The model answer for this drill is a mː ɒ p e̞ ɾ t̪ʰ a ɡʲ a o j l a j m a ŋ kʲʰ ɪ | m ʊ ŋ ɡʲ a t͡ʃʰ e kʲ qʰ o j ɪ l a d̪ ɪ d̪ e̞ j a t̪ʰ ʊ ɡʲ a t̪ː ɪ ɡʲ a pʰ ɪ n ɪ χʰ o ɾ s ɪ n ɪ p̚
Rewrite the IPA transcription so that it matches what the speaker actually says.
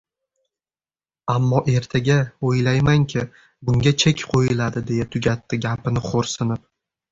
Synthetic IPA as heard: a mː ɒ ʔ e̞ ɾ t̪ʰ a ɡʲ a o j l a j m a ŋ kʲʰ ɪ | b ʊ ŋ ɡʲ a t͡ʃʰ e kʲ qʰ o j ɪ l a d̪ ɪ d̪ e̞ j a t̪ʰ ʊ ɡʲ a t̪ː ɪ ɡʲ a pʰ ɪ n ɪ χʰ o ɾ s ɪ n ɪ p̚